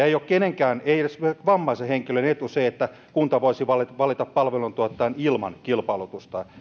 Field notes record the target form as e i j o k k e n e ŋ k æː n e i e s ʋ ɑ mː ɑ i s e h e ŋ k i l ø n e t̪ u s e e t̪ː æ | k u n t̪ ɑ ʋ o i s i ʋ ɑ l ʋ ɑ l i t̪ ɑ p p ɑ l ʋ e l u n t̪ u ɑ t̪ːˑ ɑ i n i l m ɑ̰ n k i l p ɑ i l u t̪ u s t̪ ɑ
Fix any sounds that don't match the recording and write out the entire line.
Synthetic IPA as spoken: e i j o k k e n e ŋ k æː n e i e s ʋ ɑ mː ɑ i s e h e ŋ k i l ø n e t̪ u s e e t̪ː æ | k u n t̪ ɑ ʋ o i s i ʋ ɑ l ʋ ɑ l i t̪ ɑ p p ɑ l ʋ e l u n t̪ u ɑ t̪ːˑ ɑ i n i l m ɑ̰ n k i l p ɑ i l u t̪ u s t̪ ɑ

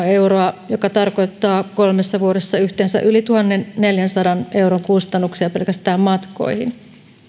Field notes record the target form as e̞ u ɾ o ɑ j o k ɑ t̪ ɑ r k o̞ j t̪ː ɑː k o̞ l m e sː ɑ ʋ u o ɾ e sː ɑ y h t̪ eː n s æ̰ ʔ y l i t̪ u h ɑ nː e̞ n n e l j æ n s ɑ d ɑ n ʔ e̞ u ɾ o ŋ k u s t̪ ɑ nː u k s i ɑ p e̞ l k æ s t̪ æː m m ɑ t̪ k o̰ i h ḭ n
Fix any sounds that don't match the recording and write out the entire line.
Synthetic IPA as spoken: e̞ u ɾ o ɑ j o k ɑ t̪ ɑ r k o̞ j t̪ː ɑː k o̞ l m e sː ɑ ʋ u o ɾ e sː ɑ y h t̪ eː n s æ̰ ʔ y l i t̪ u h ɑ nː e̞ n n e l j æ n s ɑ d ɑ n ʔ e̞ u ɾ o ŋ k u s t̪ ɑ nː u k s i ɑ p e̞ l k æ s t̪ æː m m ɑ t̪ k o̰ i h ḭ n

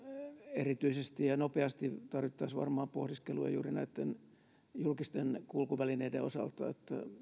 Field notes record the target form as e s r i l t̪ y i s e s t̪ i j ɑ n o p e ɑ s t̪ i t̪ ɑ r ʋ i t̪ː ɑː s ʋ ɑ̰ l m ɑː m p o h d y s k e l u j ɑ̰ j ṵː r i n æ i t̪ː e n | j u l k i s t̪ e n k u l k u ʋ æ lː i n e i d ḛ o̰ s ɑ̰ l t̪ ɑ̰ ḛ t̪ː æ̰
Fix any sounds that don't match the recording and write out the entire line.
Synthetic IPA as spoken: e r i t̪ y i s e s t̪ i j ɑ n o p e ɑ s t̪ i t̪ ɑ r ʋ i t̪ː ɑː s ʋ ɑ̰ r m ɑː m p o h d i s k e l u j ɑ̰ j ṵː r i n æ i t̪ː e n | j u l k i s t̪ e n k u l k u ʋ æ l i n e i d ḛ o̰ s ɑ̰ l t̪ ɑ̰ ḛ t̪ː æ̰

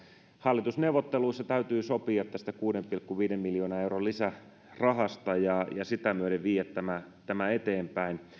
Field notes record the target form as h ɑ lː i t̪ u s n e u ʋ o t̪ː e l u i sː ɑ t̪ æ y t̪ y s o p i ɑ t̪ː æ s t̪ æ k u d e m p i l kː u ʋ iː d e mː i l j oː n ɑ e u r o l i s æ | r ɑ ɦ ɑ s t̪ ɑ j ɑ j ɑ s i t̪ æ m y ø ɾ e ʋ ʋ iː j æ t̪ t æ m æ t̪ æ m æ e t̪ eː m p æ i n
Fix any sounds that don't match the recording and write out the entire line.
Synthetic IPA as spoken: h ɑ lː i t̪ u s n e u ʋ o t̪ː e l u i sː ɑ t̪ æ y t̪ yː s o p i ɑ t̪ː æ s t̪ æ k uː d e m p i l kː u ʋ iː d e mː i l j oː n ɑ e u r o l i s æ | r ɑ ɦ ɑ s t̪ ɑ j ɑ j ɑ s i t̪ æ m y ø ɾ e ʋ ʋ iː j æ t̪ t æ m æ t̪ æ m æ e t̪ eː m p æ i n

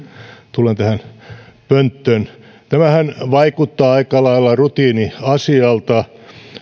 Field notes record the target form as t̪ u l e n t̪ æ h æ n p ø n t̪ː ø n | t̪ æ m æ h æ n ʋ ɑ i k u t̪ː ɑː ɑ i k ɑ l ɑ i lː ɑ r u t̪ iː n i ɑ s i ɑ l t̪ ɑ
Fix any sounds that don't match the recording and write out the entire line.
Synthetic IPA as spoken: t̪ u l e n t̪ æ h æ n p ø n t̪ː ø n | t̪ æ m æ h æ n ʋ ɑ i k u t̪ː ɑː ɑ i k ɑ l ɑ i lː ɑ r u t̪ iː n i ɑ s i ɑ l t̪ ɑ

